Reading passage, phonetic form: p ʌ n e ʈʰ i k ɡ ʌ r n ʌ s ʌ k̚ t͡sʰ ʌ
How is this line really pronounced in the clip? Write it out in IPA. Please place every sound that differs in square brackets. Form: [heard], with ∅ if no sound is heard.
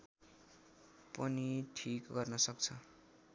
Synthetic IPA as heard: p ʌ n [i] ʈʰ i k ɡ ʌ r n ʌ s ʌ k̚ t͡sʰ ʌ